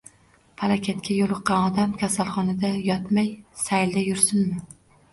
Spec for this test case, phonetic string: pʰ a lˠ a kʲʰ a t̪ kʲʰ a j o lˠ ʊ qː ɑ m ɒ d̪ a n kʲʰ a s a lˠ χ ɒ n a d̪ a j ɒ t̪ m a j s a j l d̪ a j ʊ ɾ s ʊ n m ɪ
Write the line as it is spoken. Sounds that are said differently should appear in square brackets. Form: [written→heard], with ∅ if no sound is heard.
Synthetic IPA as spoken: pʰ a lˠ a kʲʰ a t̪ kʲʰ a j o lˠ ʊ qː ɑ [m→n] ɒ d̪ a [n→m] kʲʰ a s a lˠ χ ɒ n a d̪ a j ɒ t̪ m a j s a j l d̪ a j ʊ ɾ s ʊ n m ɪ